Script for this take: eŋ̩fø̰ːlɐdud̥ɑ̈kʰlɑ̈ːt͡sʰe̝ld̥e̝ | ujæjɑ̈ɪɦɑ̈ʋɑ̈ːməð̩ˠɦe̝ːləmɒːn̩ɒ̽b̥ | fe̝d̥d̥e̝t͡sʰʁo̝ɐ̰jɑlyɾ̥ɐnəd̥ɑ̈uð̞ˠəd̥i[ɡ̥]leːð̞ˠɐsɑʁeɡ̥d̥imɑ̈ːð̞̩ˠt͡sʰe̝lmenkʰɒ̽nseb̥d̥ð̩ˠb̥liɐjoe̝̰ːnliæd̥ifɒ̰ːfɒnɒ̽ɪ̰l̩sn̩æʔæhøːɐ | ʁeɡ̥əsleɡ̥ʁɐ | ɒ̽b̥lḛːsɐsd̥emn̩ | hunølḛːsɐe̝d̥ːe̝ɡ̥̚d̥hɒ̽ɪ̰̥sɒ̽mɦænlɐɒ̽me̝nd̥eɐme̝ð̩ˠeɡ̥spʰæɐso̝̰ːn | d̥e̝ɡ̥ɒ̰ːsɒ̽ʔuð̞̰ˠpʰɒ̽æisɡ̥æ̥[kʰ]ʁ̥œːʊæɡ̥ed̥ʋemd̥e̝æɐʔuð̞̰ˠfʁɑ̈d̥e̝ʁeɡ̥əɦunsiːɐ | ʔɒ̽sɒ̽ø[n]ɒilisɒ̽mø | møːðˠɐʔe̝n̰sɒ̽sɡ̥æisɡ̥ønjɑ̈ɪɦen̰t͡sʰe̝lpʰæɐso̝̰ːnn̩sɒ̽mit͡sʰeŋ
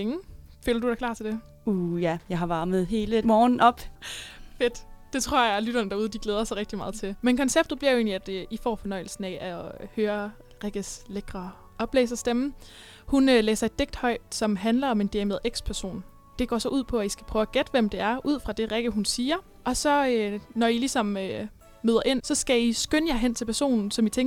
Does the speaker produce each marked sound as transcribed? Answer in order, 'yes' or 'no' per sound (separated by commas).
yes, no, yes